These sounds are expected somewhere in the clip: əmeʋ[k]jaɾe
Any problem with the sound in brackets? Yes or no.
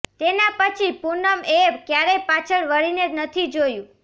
no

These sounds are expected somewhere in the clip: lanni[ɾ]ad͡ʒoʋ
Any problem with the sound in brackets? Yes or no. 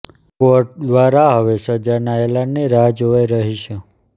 no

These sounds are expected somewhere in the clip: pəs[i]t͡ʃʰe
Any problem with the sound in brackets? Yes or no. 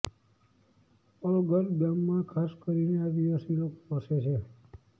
yes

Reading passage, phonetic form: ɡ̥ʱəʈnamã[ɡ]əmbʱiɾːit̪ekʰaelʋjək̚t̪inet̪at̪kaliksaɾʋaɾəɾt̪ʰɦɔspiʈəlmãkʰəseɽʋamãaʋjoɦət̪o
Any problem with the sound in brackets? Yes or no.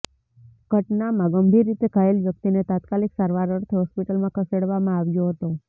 no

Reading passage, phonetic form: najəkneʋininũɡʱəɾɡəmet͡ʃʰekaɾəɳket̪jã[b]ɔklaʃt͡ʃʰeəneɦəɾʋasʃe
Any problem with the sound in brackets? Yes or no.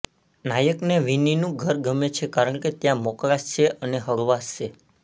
yes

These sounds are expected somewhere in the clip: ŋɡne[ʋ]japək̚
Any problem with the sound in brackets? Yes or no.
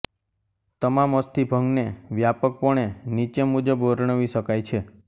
no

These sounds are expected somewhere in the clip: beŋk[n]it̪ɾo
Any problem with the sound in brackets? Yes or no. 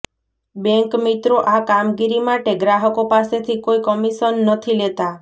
yes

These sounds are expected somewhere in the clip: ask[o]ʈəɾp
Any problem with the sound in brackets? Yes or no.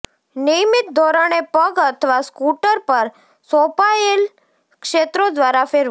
yes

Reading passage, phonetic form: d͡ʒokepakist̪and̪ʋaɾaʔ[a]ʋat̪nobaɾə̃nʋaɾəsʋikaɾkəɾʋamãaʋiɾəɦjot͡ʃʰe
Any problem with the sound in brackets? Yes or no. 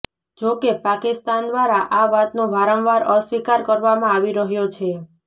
no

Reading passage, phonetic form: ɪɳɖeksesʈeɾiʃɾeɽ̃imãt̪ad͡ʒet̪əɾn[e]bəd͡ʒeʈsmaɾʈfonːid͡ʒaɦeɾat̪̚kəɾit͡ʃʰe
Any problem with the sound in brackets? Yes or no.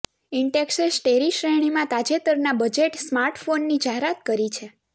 yes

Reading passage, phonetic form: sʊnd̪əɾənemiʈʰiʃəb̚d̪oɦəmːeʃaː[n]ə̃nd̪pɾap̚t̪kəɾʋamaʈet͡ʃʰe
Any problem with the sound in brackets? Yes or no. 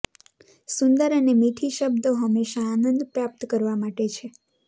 no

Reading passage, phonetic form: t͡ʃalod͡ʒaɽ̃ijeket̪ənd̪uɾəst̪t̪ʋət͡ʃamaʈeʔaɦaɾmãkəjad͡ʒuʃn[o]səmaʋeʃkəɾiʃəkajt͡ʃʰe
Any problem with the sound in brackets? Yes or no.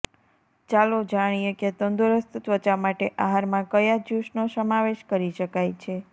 no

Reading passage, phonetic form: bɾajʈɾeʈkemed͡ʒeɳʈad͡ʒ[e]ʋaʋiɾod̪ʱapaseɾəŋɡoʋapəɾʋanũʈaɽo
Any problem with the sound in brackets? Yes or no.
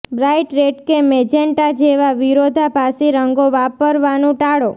no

